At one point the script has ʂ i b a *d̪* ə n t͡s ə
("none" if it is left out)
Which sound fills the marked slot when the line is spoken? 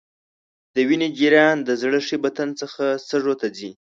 t̪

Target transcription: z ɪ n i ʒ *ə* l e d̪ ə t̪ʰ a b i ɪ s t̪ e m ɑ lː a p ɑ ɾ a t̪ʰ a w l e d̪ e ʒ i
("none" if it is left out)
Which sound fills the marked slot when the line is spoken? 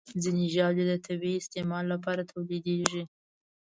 ɑ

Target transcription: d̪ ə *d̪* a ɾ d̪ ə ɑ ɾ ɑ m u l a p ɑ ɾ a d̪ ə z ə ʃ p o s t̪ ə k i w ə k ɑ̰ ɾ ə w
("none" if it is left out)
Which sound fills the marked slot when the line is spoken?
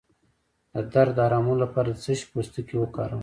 d̪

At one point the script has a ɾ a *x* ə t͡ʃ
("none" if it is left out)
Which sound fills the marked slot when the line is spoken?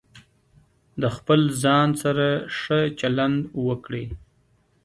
ʂ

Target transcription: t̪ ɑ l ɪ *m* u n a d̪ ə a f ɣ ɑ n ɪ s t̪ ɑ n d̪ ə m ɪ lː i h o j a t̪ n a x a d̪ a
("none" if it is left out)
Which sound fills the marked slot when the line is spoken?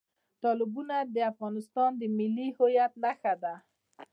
b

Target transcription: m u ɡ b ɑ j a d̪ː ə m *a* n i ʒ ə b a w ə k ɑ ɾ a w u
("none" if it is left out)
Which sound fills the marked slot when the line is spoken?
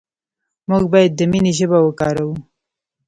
i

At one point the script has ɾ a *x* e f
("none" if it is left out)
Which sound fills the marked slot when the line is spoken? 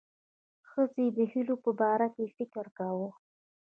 k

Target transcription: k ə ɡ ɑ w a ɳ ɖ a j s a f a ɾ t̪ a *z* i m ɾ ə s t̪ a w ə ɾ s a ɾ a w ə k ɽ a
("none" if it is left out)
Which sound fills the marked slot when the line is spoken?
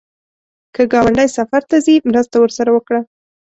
z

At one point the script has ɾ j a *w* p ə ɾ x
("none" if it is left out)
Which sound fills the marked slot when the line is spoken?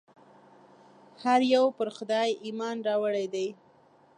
w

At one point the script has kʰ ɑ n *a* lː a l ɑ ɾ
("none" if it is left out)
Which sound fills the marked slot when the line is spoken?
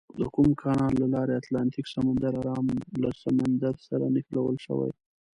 ɑ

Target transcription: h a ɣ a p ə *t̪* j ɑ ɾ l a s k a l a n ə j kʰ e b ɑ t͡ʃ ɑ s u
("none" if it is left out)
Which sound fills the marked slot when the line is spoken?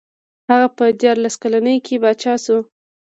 d̪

